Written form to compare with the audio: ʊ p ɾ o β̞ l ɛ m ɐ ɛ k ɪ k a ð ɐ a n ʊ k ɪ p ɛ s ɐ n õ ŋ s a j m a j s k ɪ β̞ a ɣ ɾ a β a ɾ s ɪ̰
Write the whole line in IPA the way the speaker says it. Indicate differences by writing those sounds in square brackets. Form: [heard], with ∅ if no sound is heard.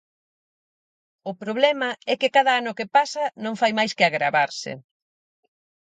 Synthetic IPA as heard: ʊ p ɾ o β̞ l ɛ m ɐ ɛ k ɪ k a ð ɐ a n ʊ k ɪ p [a] s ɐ n õ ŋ [f] a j m a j s k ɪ [∅] a ɣ ɾ a β a ɾ s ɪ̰